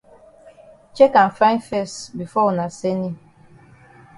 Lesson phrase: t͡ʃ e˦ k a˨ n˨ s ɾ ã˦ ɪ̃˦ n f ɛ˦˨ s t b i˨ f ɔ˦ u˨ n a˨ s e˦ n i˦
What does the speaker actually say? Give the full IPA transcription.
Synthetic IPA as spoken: t͡ʃ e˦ k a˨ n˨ f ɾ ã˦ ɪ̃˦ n f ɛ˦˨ s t b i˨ f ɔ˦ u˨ n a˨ s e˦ n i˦